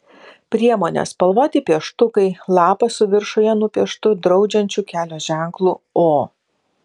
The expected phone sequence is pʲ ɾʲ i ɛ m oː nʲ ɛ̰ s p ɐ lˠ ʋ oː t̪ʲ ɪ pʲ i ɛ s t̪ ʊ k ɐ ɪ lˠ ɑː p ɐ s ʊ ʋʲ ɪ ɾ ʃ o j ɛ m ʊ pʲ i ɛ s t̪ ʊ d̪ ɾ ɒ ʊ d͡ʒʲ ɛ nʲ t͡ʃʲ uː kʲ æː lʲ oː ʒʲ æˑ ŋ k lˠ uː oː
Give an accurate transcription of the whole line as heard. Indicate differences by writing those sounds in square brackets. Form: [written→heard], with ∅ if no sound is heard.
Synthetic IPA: pʲ ɾʲ i ɛ m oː nʲ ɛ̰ s p ɐ lˠ ʋ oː t̪ʲ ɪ pʲ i ɛ [s→ʃ] t̪ ʊ k ɐ ɪ lˠ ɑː p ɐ s ʊ ʋʲ ɪ ɾ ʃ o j ɛ [m→n] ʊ pʲ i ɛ [s→ʃ] t̪ ʊ d̪ ɾ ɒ ʊ d͡ʒʲ ɛ nʲ t͡ʃʲ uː kʲ æː lʲ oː ʒʲ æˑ ŋ k lˠ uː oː